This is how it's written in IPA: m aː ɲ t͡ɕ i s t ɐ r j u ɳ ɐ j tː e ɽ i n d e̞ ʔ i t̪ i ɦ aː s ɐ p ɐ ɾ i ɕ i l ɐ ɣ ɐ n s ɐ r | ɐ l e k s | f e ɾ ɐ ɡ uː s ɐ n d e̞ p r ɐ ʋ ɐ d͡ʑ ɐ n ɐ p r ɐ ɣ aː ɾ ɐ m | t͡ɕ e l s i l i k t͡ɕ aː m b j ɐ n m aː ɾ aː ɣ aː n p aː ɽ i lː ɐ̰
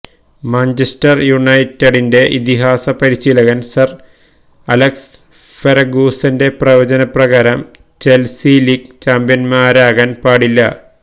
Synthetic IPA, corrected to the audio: m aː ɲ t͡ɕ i s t ɐ r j u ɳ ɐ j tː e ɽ i n d e̞ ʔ i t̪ i ɦ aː s ɐ p ɐ ɾ i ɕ i l ɐ ɣ ɐ n s ɐ r | ɐ l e k s | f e ɾ ɐ ɡ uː s ɐ n d e̞ p r ɐ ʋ ɐ d͡ʑ ɐ n ɐ p r ɐ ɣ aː ɾ ɐ m | t͡ɕ e l s i l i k t͡ɕ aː m b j ɐ n m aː ɾ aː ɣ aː n p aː ɽ i lː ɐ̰

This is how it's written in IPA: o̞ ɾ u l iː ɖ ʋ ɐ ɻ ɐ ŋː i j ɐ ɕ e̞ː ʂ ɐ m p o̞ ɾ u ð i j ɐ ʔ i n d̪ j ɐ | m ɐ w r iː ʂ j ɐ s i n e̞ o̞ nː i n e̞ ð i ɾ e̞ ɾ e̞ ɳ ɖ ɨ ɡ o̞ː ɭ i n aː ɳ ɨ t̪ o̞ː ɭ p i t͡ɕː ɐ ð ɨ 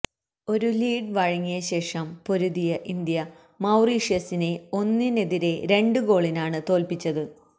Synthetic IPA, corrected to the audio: o̞ ɾ u l iː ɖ ʋ ɐ ɻ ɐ ŋː i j ɐ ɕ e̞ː ʂ ɐ m p o̞ ɾ u ð i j ɐ ʔ i n d̪ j ɐ | m ɐ w r iː ʂ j ɐ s i n e̞ o̞ nː i n e̞ ð i ɾ e̞ ɾ e̞ ɳ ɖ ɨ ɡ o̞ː ɭ i n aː ɳ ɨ t̪ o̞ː l p i t͡ɕː ɐ ð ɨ

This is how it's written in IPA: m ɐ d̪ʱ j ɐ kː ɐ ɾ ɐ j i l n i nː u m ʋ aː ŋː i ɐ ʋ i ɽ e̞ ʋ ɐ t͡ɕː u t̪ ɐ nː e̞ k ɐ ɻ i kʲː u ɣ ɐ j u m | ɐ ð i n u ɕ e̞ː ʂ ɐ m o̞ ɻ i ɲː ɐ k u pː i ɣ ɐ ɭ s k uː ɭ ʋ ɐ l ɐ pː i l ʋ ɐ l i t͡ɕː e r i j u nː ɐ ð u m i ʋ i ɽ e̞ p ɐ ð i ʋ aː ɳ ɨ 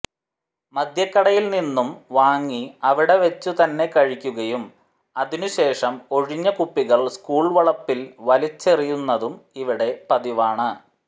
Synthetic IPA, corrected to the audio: m ɐ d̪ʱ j ɐ kː ɐ ɽ ɐ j i l n i nː u m ʋ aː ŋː i ɐ ʋ i ɽ e̞ ʋ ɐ t͡ɕː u t̪ ɐ nː e̞ k ɐ ɻ i kʲː u ɣ ɐ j u m | ɐ ð i n u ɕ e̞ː ʂ ɐ m o̞ ɻ i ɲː ɐ k u pː i ɣ ɐ ɭ s k uː ɭ ʋ ɐ ɭ ɐ pː i l ʋ ɐ l i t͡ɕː e r i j u nː ɐ ð u m i ʋ i ɽ e̞ p ɐ ð i ʋ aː ɳ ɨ

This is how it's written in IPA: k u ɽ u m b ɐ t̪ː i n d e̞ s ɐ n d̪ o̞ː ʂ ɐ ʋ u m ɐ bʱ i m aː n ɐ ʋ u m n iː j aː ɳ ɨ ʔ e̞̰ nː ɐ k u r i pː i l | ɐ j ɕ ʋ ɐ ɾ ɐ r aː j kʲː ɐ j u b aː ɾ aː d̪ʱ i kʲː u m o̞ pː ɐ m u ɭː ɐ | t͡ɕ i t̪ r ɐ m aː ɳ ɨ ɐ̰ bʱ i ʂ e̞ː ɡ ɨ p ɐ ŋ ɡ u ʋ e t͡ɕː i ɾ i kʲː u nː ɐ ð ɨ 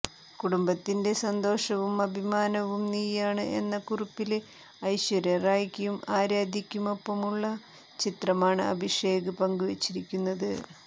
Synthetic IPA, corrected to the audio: k u ɽ u m b ɐ t̪ː i n d e̞ s ɐ n d̪ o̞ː ʂ ɐ ʋ u m ɐ bʱ i m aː n ɐ ʋ u m n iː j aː ɳ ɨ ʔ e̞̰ nː ɐ k u r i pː i l | ɐ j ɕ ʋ ɐ ɾ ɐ r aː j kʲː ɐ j u m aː ɾ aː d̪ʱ i kʲː u m o̞ pː ɐ m u ɭː ɐ | t͡ɕ i t̪ r ɐ m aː ɳ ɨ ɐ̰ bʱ i ʂ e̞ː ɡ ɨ p ɐ ŋ ɡ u ʋ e t͡ɕː i ɾ i kʲː u nː ɐ ð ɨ

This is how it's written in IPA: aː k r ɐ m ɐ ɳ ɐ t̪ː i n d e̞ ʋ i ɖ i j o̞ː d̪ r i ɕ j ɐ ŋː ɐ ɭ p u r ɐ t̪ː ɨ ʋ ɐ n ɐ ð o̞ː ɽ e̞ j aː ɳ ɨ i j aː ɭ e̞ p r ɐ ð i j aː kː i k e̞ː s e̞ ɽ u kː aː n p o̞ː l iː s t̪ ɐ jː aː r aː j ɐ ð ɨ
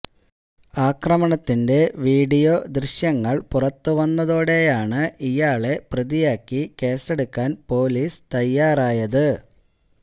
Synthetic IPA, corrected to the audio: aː k r ɐ m ɐ ɳ ɐ t̪ː i n d e̞ ʋ iː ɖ i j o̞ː d̪ r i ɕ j ɐ ŋː ɐ ɭ p u r ɐ t̪ː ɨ ʋ ɐ nː ɐ ð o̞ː ɽ e̞ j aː ɳ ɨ i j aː ɭ e̞ p r ɐ ð i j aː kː i k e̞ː s e̞ ɽ u kː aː n p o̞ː l iː s t̪ ɐ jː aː r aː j ɐ ð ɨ

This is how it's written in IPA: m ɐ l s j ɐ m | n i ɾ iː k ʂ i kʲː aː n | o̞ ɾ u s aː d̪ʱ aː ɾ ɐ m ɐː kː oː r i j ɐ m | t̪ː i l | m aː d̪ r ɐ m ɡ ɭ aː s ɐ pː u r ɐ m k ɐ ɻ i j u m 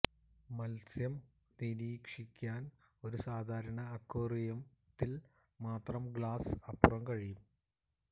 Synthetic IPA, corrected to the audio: m ɐ l s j ɐ m | n i ɾ iː k ʂ i kʲː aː n | o̞ ɾ u s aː d̪ʱ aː ɾ ɐ ɳ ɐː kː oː r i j ɐ m | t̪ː i l | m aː t̪ r ɐ m ɡ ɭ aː s ɐ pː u r ɐ m k ɐ ɻ i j u m

